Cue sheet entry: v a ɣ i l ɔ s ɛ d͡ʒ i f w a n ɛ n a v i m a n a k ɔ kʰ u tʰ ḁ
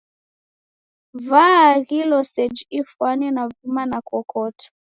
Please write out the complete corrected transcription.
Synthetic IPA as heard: v a ɣ i l ɔ s ɛ d͡ʒ i f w a n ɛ n a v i m a n a k ɔ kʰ ɔ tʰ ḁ